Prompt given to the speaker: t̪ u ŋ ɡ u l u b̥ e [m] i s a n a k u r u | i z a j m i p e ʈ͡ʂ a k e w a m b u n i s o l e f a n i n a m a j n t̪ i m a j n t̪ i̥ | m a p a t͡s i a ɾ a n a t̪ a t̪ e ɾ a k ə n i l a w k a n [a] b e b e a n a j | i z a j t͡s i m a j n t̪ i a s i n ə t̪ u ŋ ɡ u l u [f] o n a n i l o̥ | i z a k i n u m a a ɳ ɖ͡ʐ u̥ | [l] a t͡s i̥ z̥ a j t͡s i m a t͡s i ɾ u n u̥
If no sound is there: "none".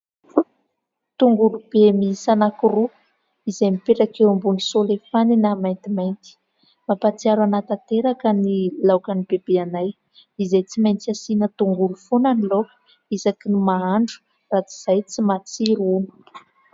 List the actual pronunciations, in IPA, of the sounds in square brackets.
m, i, f, r

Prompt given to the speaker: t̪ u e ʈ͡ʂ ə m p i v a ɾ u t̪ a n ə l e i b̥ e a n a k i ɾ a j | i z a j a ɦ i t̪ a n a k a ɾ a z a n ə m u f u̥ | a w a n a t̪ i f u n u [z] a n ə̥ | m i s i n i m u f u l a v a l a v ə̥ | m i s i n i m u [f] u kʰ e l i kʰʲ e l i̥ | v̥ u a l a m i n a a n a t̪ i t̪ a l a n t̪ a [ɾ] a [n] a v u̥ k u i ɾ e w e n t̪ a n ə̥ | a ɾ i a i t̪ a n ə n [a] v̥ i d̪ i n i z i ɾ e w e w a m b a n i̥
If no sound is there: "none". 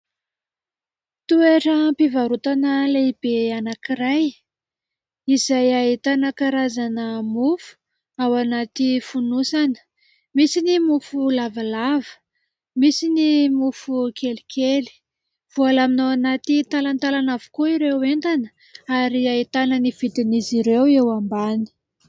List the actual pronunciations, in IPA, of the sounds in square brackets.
s, f, l, n, i

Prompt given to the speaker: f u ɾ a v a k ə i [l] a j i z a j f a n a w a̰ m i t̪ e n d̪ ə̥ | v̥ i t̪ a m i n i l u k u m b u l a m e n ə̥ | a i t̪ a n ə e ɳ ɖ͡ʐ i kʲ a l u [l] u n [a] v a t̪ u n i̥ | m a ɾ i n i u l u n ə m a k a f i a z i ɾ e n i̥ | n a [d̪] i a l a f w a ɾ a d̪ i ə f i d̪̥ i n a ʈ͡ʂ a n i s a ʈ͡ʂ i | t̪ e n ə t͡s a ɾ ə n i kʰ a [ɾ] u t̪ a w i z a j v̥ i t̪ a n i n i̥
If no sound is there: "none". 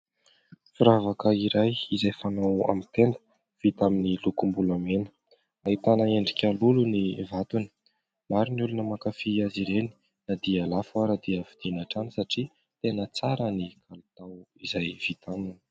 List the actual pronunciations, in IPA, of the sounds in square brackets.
ɾ, l, i, d̪, l

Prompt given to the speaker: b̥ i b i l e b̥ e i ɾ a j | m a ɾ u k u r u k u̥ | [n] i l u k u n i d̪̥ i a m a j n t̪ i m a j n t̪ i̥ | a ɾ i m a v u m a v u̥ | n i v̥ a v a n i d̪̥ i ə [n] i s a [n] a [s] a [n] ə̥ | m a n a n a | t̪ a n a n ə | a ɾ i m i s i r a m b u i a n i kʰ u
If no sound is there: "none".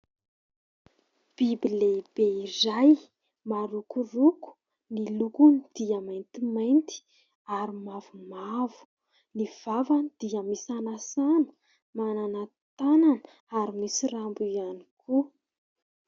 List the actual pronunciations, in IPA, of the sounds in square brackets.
n, m, n, s, n

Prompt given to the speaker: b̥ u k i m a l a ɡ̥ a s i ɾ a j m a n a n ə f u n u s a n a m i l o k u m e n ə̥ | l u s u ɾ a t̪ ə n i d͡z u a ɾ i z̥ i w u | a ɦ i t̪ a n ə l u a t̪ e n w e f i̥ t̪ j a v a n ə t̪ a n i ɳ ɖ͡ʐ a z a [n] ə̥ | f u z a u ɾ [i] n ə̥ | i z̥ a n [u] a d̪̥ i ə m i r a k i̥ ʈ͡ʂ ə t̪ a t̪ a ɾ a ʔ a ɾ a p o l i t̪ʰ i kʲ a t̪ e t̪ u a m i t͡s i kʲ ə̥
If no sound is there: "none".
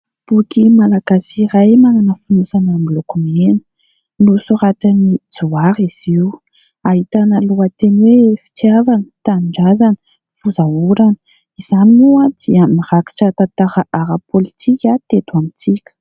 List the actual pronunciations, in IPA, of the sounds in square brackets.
n, a, u

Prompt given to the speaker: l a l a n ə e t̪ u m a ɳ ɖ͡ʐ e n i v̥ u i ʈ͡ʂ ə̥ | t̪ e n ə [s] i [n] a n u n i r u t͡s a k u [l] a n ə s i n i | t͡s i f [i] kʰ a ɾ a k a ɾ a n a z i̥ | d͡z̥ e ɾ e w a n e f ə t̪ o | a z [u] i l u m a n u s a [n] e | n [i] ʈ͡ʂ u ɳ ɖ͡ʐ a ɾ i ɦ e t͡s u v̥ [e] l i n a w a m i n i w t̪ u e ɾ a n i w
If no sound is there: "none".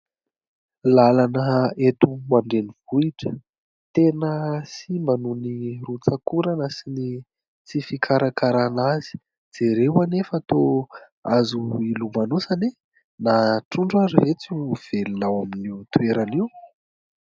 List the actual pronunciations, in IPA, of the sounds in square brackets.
s, m, ɾ, i, u, n, a, e

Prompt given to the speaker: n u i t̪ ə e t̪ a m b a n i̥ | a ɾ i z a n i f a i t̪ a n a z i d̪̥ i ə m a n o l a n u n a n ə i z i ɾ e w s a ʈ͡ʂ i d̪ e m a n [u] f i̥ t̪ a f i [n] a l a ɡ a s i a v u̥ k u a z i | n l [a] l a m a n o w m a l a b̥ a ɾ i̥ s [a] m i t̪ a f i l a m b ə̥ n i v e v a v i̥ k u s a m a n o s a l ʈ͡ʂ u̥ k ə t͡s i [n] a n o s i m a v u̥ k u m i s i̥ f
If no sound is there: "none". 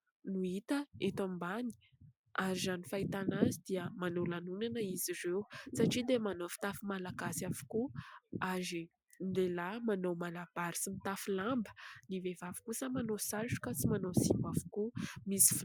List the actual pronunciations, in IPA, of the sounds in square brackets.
o, m, e, i, m

